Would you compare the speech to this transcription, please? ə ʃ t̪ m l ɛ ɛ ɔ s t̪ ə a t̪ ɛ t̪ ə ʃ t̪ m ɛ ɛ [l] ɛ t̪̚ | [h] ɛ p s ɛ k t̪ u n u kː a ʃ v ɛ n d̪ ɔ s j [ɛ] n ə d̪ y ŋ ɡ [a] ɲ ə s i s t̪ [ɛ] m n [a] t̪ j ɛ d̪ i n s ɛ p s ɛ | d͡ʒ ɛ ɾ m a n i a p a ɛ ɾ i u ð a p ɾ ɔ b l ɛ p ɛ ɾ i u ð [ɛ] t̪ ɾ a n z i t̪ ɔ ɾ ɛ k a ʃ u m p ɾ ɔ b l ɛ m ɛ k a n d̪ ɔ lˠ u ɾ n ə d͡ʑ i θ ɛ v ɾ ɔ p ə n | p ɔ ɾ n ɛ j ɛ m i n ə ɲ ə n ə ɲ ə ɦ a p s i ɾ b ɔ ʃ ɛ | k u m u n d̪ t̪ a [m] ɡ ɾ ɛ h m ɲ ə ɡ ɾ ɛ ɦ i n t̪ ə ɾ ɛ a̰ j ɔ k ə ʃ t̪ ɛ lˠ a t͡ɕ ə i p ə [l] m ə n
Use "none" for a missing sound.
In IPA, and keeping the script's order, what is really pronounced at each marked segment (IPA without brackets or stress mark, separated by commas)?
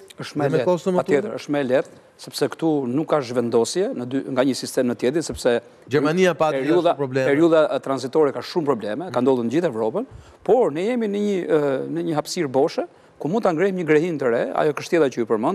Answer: l, s, ɛ, a, ɛ, ə, a, ŋ, ɾ